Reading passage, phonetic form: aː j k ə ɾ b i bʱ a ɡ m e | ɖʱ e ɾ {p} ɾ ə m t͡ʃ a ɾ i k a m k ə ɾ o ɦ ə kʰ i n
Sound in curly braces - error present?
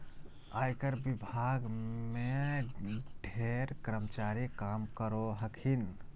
yes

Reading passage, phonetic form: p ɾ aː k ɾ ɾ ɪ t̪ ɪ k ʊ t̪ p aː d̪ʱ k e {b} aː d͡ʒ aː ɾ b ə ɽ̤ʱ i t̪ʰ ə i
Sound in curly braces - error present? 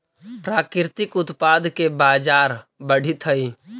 no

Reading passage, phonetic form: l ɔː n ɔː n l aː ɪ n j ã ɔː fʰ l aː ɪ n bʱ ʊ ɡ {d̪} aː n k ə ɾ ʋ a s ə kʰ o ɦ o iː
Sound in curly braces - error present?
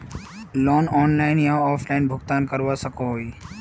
yes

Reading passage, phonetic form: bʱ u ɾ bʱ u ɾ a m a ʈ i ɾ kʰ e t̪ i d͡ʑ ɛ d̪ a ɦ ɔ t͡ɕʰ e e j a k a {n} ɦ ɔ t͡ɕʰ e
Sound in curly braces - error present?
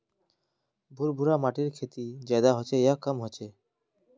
yes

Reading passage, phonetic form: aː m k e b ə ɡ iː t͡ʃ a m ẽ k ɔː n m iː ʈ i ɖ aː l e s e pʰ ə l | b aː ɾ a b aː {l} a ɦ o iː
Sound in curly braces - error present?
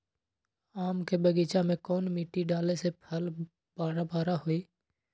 yes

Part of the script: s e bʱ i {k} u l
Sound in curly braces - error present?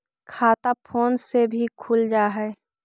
yes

